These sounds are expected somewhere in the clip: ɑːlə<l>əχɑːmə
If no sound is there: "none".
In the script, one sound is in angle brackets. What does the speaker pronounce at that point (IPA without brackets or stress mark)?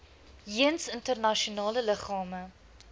l